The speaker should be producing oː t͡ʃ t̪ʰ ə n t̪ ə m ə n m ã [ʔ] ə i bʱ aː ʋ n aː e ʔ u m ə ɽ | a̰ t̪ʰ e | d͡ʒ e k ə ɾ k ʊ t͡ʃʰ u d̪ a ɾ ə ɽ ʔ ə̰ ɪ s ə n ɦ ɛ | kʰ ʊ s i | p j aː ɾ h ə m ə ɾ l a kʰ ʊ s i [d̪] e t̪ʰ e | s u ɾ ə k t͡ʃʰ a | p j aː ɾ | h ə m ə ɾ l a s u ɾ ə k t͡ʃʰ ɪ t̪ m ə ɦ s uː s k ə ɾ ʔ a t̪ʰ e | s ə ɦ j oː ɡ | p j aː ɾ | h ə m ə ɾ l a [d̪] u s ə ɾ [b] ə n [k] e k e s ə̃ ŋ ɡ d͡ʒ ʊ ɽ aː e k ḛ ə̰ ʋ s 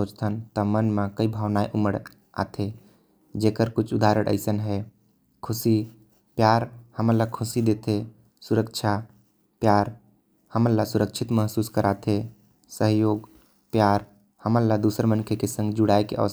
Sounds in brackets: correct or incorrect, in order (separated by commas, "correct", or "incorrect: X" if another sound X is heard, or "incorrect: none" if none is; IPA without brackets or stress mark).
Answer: incorrect: k, correct, correct, incorrect: m, incorrect: kʰ